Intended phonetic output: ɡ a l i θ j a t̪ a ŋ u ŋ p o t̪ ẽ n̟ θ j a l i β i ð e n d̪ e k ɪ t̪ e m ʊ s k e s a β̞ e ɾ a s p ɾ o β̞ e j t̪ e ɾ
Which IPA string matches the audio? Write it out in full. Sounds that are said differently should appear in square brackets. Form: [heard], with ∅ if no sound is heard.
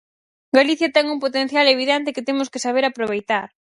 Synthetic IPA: ɡ a l i θ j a t̪ [ɛ] ŋ u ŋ p o t̪ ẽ n̟ θ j a l [e] β i ð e n [t̪] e k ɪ t̪ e m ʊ s k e s a β̞ e ɾ a [∅] p ɾ o β̞ e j t̪ [a] ɾ